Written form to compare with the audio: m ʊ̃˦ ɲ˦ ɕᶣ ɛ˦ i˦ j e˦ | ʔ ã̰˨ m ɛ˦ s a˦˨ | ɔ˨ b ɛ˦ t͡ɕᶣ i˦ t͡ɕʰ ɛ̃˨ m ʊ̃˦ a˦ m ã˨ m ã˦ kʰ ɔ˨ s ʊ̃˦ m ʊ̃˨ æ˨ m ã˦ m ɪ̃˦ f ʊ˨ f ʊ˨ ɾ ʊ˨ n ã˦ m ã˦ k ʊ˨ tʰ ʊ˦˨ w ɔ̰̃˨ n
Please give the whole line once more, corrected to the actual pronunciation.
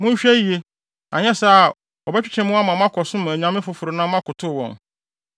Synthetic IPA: m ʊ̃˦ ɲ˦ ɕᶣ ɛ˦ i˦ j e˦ | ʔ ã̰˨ ɲ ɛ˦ s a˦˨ | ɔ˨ b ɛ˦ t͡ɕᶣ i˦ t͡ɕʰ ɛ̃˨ m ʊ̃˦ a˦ m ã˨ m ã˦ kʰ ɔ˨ s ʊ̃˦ m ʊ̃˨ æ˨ ɲ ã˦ m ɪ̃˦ f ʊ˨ f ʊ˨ ɾ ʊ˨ n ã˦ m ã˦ k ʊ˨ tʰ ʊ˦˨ w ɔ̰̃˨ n